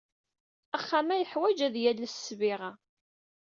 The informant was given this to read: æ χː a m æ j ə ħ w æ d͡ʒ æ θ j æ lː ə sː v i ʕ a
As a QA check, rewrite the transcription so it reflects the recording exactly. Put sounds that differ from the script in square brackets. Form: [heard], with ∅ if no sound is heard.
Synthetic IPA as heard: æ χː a m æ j ə ħ w æ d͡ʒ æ [ð] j æ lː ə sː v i [ʁ] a